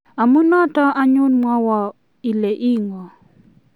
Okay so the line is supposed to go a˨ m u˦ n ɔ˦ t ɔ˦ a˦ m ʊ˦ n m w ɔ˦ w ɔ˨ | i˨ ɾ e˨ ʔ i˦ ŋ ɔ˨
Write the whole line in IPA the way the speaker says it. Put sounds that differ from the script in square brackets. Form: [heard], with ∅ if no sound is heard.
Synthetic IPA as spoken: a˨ m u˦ n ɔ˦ t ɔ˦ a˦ [ɲ] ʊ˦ n m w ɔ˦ w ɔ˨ | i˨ [l] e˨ ʔ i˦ ŋ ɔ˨